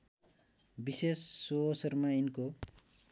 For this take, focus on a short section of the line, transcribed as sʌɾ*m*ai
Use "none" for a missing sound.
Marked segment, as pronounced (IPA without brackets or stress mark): m